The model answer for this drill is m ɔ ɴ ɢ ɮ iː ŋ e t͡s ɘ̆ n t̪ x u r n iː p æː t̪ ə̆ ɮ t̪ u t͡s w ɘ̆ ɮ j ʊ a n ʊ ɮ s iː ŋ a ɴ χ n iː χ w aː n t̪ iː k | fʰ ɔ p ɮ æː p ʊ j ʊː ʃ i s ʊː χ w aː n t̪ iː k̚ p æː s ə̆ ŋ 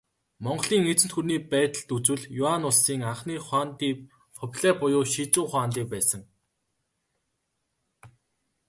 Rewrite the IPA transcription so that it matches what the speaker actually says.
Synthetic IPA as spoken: m ɔ ɴ ɢ ɮ iː ŋ e t͡s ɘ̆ n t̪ x u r n iː p æː t̪ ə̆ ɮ t̪ u t͡s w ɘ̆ ɮ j ʊ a n ʊ ɮ s iː ŋ a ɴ χ n iː χ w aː n t̪ iː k | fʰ ɔ p ɮ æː p ʊ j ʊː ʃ i t͡s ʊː χ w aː n t̪ iː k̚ p æː s ə̆ ŋ

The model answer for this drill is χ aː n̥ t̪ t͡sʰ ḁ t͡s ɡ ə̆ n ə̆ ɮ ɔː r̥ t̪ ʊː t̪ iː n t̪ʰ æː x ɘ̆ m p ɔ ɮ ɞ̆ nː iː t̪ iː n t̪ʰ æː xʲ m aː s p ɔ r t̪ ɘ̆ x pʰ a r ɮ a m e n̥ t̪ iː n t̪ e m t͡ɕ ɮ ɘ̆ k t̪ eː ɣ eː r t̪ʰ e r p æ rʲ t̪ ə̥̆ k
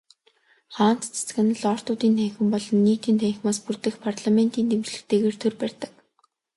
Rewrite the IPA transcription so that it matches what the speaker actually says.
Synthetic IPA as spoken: χ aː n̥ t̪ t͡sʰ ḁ t͡s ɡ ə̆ n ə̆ ɮ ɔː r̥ t̪ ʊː t̪ iː n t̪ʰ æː x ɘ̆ m p ɔ ɮ ɞ̆ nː iː t̪ iː n t̪ʰ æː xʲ m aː s p u r t̪ ɘ̆ x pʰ a r ɮ a m e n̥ t̪ iː n t̪ e m t͡ɕ ɮ ɘ̆ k t̪ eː ɣ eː r t̪ʰ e r p æ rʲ t̪ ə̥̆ k

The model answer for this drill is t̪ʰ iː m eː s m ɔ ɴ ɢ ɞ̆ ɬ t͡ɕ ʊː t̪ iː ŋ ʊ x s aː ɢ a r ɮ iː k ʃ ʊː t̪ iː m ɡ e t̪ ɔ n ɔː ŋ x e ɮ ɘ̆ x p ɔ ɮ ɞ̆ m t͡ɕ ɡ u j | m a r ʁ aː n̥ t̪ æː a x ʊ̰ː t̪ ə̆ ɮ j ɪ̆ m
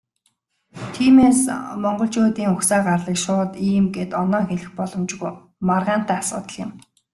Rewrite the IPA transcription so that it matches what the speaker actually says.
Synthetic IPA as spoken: t̪ʰ iː m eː s m ɔ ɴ ɢ ɞ̆ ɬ t͡ɕ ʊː t̪ iː ŋ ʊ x s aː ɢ a r ɮ iː k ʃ ʊː t̪ iː m ɡ e t̪ ɔ n ɔː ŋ x e ɮ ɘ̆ x p ɔ ɮ ɞ̆ m t͡ɕ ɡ u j | m a r ʁ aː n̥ t̪ æː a s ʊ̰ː t̪ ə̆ ɮ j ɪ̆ m

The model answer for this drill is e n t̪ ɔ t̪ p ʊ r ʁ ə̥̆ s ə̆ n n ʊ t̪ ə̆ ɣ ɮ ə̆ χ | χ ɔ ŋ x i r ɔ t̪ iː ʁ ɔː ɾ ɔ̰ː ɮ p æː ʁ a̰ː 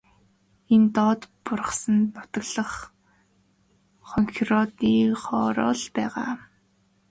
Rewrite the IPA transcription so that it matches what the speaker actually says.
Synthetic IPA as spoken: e n t̪ ɔ t̪ p ʊ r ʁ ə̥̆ s ə̆ n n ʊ t̪ ə̆ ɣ ɮ ə̆ χ | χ ɔ ŋ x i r ɔ t̪ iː χ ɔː ɾ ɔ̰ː ɮ p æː ʁ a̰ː

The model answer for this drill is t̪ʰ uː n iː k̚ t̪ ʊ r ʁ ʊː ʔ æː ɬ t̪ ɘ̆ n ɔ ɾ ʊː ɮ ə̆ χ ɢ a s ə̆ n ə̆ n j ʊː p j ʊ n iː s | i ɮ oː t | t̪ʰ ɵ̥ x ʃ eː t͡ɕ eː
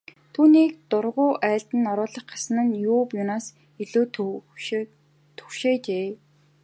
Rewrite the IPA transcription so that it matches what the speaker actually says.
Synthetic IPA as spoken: t̪ʰ uː n iː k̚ t̪ ʊ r ʁ ʊː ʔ æː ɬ t̪ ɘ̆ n ɔ ɾ ʊː ɮ ə̆ χ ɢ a s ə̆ n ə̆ n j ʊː p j ʊ n aː s | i ɮ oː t | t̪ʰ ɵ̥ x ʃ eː t͡ɕ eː

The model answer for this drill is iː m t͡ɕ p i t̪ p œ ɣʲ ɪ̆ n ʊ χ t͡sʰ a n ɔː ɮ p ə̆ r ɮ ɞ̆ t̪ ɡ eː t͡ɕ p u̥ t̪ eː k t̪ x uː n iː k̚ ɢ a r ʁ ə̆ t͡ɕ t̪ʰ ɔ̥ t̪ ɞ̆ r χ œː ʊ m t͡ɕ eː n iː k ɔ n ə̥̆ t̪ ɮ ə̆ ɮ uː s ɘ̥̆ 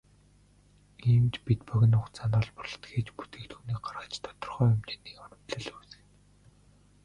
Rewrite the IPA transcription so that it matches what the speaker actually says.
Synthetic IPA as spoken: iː m t͡ɕ p i t̪ p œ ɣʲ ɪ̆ n ʊ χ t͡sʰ a n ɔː ɮ p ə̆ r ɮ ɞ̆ t̪ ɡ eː t͡ɕ p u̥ t̪ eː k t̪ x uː n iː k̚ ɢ a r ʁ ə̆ t͡ɕ t̪ʰ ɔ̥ t̪ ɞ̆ r χ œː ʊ m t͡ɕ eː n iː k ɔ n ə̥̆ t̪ ɮ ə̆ ɮ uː s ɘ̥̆

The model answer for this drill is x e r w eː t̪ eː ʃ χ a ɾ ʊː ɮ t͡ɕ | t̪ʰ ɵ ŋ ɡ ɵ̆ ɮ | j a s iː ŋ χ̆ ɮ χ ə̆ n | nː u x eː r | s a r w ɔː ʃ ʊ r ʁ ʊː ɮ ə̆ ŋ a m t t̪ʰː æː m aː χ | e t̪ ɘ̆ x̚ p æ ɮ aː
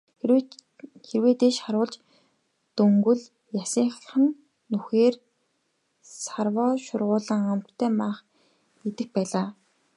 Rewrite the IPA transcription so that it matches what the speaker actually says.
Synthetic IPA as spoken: x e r w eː t̪ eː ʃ χ a ɾ ʊː ɮ t͡ɕ | t̪ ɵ ŋ ɡ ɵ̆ ɮ | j a s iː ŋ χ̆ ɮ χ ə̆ n | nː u x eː r | s a r w ɔː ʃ ʊ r ʁ ʊː ɮ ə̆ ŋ a m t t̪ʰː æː m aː χ | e t̪ ɘ̆ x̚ p æː ɮ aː

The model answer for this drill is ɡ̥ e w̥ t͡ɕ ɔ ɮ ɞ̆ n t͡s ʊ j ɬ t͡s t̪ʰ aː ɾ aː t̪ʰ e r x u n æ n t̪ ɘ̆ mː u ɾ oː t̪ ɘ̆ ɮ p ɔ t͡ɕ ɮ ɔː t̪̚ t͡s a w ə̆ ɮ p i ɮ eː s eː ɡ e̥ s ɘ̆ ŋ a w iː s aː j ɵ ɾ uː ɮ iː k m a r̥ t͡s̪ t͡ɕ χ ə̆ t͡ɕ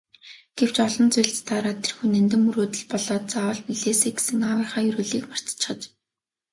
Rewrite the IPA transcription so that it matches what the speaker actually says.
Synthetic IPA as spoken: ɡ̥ e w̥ t͡ɕ ɔ ɮ ɞ̆ n t͡s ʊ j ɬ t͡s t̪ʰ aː ɾ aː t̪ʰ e r x u n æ n t̪ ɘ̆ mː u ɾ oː t̪ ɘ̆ ɮ p ɔ ɮ ɔː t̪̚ t͡s a w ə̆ ɮ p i ɮ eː s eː ɡ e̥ s ɘ̆ ŋ a w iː χ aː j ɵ ɾ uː ɮ iː k m a r̥ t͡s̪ t͡ɕ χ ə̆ t͡ɕ

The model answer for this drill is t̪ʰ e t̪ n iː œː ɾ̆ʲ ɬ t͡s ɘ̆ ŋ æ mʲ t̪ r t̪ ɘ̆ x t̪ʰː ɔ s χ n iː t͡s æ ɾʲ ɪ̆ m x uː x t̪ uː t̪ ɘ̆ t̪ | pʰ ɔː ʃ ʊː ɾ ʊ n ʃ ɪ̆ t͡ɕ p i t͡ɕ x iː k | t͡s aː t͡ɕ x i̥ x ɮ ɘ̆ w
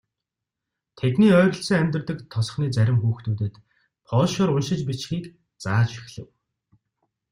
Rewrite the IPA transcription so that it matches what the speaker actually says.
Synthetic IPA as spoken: t̪ʰ e t̪ n iː œː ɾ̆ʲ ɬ t͡s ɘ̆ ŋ æ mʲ t̪ r t̪ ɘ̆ k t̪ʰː ɔ s χ n iː t͡s æ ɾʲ ɪ̆ m x uː x t̪ uː t̪ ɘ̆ t̪ | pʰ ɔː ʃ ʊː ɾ ʊ n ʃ ɪ̆ t͡ɕ p i t͡ɕ x iː k | t͡s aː t͡ɕ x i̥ x ɮ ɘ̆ w

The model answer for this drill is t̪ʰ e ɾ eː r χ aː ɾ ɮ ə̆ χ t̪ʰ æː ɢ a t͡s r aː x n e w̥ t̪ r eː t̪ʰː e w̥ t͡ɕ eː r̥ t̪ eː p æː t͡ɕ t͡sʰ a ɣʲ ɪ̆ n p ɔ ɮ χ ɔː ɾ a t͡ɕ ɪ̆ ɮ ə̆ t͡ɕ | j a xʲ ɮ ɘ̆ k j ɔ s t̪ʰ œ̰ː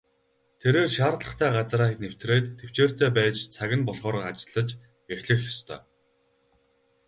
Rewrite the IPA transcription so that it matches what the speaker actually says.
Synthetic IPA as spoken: t̪ʰ e ɾ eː r ʃ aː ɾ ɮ ə̆ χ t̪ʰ æː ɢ a t͡s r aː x n e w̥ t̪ r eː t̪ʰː e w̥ t͡ɕ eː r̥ t̪ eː p æː t͡ɕ t͡sʰ a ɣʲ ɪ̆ n p ɔ ɮ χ ɔː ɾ a t͡ɕ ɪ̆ ɮ ə̆ t͡ɕ | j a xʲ ɮ ɘ̆ x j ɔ s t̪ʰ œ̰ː

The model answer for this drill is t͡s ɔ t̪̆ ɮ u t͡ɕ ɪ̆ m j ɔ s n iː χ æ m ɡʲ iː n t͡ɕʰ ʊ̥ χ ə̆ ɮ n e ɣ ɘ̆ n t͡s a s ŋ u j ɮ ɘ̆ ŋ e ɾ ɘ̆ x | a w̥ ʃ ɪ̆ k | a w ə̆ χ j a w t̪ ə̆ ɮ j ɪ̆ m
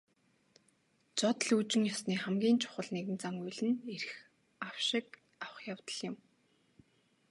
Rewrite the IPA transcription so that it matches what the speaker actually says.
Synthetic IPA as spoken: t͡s ɔ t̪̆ ɮ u t͡ɕ ɪ̆ ŋ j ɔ s n iː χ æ m ɡʲ iː n t͡ɕʰ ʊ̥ χ ə̆ ɮ n e ɣ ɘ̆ n t͡s a ŋ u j ɮ ɘ̆ n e ɾ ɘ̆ x | a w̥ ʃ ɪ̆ k | a w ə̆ χ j a w t̪ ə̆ ɮ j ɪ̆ m

